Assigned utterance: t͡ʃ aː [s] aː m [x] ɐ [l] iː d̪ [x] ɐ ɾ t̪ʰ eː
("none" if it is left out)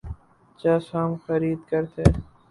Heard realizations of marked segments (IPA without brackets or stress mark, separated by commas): s, x, ɾ, k